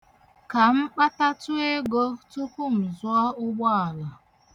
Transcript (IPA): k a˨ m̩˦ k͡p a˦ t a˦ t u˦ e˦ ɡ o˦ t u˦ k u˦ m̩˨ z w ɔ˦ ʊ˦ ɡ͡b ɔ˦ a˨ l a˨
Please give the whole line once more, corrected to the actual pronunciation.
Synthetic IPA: k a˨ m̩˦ k͡p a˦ t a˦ t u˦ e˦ ɡ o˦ t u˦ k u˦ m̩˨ z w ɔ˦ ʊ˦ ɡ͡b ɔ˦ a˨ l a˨